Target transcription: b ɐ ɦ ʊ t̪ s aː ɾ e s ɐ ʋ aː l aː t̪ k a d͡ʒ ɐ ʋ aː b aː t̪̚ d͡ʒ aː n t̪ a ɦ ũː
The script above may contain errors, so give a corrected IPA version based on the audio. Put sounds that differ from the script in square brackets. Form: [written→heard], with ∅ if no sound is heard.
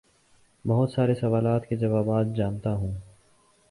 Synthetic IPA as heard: b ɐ ɦ ʊ t̪ s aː ɾ e s ɐ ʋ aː l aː t̪ k [a→e] d͡ʒ ɐ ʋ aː b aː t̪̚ d͡ʒ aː n t̪ a ɦ ũː